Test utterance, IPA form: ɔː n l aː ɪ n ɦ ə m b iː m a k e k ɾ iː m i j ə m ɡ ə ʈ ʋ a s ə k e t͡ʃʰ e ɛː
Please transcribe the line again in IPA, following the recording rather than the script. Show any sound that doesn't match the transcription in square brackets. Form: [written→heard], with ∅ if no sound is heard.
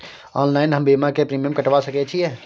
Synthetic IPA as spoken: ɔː n l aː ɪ n ɦ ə m b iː m a k e [k→p] ɾ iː m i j ə m [ɡ→k] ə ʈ ʋ a s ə k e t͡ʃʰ [e→i] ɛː